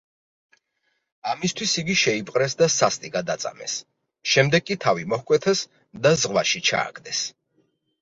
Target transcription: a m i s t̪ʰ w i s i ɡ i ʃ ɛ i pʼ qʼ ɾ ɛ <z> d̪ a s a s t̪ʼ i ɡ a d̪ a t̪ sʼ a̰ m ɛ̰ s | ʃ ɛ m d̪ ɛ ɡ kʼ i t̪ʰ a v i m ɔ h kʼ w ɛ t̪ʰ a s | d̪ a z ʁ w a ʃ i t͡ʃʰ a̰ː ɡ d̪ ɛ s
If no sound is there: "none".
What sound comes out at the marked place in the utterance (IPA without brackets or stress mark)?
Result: s